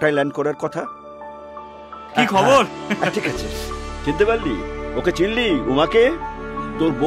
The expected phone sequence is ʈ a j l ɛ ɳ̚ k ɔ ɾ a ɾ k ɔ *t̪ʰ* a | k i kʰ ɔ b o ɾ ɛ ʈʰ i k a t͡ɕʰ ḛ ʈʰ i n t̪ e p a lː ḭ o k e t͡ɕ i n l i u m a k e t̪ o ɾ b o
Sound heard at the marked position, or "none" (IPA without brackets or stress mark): t̪ʰ